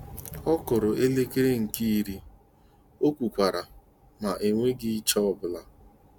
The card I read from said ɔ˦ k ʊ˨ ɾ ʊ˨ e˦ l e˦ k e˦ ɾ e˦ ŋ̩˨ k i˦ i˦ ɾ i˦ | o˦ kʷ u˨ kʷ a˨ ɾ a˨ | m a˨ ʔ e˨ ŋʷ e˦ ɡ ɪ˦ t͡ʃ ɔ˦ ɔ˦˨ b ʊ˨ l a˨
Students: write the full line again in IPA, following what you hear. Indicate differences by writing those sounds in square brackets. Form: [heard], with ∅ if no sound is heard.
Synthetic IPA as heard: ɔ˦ k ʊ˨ ɾ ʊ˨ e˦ l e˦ k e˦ ɾ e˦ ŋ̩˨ k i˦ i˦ ɾ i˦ | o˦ kʷ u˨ kʷ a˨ ɾ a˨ | m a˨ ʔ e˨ ŋʷ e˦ ɡ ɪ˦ t͡ʃ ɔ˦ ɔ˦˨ b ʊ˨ l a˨